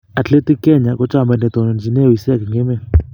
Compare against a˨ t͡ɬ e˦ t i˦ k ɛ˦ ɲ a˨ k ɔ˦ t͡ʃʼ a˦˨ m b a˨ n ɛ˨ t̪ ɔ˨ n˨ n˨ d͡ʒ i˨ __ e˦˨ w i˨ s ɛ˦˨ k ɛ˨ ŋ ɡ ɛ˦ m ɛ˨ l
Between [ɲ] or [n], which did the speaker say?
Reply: n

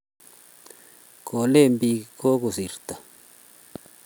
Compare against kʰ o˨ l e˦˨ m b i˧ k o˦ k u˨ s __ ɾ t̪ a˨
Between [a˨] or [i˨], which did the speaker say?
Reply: i˨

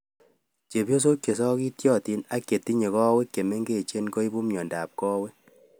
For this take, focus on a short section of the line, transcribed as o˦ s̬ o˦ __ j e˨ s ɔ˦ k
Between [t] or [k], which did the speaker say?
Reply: k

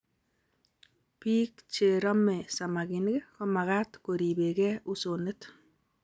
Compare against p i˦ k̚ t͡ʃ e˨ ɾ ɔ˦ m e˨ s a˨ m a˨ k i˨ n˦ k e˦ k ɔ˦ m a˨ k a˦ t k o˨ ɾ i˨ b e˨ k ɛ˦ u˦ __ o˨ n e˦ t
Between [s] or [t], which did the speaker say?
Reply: s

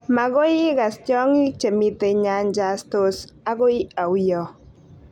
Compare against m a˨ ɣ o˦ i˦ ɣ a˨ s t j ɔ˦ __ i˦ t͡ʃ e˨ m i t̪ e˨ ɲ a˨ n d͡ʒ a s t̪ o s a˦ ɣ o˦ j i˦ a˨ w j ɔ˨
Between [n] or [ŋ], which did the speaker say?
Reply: ŋ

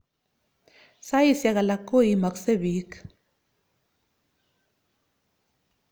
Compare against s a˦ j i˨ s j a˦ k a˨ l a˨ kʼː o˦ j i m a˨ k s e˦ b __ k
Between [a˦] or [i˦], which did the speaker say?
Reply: i˦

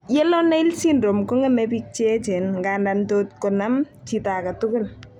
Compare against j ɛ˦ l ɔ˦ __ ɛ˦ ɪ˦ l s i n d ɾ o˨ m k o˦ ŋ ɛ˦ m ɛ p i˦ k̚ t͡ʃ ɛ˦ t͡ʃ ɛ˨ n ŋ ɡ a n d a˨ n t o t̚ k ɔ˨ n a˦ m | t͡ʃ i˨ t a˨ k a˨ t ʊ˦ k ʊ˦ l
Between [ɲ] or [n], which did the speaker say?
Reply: n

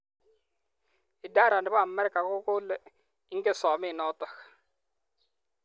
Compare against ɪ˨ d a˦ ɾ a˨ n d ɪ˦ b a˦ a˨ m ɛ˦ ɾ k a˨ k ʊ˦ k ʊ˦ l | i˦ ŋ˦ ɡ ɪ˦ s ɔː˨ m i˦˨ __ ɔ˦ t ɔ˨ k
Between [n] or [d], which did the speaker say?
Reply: n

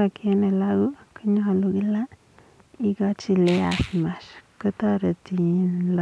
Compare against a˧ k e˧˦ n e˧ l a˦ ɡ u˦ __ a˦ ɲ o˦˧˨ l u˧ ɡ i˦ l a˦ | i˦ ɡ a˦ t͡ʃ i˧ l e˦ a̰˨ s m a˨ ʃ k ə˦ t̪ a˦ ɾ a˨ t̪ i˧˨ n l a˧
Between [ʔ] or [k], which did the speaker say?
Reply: k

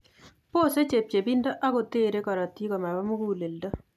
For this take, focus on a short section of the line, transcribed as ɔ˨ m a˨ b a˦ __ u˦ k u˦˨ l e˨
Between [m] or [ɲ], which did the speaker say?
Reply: m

